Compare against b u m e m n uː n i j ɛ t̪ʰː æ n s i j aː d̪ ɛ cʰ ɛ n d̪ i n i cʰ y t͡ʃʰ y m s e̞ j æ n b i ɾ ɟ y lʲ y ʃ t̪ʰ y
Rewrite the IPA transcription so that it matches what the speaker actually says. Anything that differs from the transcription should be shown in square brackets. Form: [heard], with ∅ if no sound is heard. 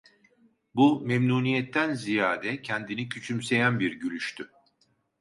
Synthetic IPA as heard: b u m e m n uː n i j ɛ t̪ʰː æ n [z] i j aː d̪ ɛ cʰ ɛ n d̪ i n i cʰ y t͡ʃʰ y m s e̞ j æ n b i ɾ ɟ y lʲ y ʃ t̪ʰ y